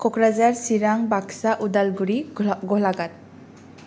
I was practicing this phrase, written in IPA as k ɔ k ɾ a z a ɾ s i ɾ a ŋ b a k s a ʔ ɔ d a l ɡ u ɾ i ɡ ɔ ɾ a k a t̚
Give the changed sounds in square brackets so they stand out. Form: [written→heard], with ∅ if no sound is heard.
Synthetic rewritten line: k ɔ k ɾ a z a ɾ s i ɾ a ŋ b a k s a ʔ [ɔ→u] d a l ɡ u ɾ i ɡ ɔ [ɾ→l] a [k→ɡ] a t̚